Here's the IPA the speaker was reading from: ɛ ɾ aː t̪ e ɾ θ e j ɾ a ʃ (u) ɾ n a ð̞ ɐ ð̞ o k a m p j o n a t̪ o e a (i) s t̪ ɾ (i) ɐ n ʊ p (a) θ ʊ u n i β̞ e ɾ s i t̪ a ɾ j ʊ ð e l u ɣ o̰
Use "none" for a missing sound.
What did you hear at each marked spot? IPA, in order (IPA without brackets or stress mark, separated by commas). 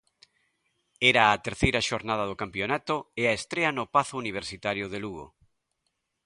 o, e, e, a